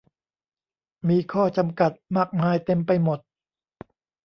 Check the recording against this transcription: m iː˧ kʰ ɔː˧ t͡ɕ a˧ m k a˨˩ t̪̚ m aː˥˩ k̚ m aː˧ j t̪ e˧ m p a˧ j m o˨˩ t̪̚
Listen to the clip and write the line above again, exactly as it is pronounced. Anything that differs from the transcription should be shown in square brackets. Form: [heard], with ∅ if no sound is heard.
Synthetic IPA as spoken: m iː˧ kʰ [ɔː˥˩] t͡ɕ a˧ m k a˨˩ t̪̚ m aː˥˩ k̚ m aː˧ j t̪ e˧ m p a˧ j m o˨˩ t̪̚